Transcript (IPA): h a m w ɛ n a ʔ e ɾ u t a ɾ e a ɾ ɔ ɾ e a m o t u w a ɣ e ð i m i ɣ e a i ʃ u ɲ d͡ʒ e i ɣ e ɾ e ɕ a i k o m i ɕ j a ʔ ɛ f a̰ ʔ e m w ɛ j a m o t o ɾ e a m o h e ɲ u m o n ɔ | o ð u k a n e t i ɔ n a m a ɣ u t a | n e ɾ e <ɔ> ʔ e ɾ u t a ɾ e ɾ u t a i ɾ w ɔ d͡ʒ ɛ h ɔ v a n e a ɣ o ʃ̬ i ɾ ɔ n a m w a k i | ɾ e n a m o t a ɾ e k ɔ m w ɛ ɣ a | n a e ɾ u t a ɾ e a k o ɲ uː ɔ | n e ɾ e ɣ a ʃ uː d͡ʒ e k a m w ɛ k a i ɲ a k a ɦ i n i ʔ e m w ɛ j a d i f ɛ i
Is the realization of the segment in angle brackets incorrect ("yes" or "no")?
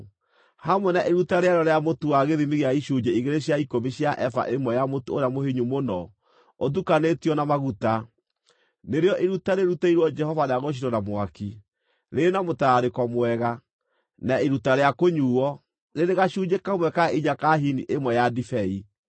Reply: no